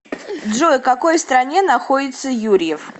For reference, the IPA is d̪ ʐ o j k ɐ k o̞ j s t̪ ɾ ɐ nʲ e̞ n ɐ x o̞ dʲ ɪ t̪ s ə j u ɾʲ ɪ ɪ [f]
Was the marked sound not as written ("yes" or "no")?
no